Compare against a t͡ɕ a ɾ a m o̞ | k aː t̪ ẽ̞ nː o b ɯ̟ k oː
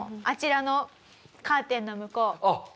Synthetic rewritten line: a t͡ɕ i ɾ a n o̞ | k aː t̪ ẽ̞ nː o m ɯ̟ k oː